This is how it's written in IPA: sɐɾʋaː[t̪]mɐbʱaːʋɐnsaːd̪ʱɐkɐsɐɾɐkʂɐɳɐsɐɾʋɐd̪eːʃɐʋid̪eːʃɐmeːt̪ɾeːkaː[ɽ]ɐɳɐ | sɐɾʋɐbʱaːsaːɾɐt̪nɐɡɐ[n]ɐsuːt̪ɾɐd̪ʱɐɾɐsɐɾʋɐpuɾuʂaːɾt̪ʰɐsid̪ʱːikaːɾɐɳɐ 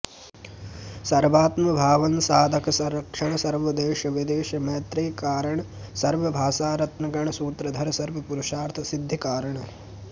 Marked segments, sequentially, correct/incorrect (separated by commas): correct, incorrect, incorrect